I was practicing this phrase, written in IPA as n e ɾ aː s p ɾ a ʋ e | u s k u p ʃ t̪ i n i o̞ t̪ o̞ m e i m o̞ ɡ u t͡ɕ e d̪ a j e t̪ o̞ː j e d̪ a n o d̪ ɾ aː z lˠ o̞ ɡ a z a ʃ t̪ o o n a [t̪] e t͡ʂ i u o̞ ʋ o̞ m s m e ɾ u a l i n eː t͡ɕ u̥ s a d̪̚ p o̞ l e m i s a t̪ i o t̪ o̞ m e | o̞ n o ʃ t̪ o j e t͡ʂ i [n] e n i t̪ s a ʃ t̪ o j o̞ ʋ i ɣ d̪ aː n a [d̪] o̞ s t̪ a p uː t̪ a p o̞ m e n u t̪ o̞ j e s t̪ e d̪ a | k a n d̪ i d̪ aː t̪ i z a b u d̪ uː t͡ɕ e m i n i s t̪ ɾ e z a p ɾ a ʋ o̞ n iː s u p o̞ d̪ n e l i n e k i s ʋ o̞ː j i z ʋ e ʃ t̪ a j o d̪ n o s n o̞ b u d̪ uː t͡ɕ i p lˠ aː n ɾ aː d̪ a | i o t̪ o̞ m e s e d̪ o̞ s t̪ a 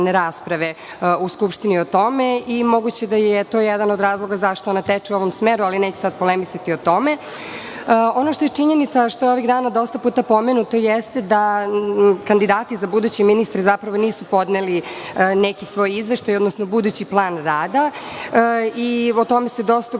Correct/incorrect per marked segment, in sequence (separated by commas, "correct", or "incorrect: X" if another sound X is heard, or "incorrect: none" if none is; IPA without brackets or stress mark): correct, incorrect: ɲ, correct